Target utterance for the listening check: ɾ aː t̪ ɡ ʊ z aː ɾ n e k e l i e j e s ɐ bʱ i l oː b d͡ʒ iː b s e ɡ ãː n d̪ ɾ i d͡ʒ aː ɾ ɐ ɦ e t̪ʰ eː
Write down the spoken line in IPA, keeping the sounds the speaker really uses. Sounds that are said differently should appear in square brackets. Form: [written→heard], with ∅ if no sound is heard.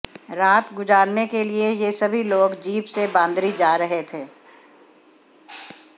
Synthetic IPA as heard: ɾ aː t̪ ɡ ʊ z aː ɾ n e k e l i e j e s ɐ bʱ i l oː [b→ɡ] d͡ʒ iː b s e [ɡ→b] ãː n d̪ ɾ i d͡ʒ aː ɾ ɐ ɦ e t̪ʰ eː